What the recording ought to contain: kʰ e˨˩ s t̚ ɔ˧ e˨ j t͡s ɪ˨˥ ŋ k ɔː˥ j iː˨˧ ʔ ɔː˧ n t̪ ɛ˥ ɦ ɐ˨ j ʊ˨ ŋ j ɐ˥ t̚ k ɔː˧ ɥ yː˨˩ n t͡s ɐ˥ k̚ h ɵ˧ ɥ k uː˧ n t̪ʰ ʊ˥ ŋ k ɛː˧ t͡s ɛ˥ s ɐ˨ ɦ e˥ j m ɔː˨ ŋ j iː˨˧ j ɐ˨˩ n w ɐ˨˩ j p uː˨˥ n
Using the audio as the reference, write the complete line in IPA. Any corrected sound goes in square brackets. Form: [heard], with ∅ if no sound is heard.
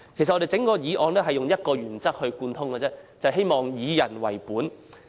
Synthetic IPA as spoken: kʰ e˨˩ s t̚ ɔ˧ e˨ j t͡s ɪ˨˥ ŋ k [ɔː˧] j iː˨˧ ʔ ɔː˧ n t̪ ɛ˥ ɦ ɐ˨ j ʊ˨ ŋ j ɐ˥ t̚ k ɔː˧ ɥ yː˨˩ n t͡s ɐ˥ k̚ h ɵ˧ ɥ k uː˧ n t̪ʰ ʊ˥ ŋ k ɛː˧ t͡s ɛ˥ [t͡s] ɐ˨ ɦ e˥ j m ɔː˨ ŋ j iː˨˧ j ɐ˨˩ n w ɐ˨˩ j p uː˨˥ n